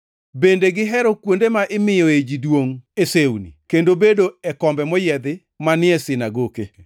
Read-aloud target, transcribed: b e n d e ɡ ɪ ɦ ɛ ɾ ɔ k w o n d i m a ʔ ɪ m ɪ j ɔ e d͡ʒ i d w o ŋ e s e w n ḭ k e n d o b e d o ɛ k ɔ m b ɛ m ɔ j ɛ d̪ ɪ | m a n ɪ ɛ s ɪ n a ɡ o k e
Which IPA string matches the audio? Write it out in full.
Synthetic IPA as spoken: b e n d e ɡ ɪ ɦ ɛ ɾ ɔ k w o n d e m a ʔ ɪ m ɪ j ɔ e d͡ʒ i d w o ŋ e s e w n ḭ k e n d o b e d o ɛ k ɔ m b ɛ m ɔ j ɛ d̪ ɪ | m a n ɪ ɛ s ɪ n a ɡ o k e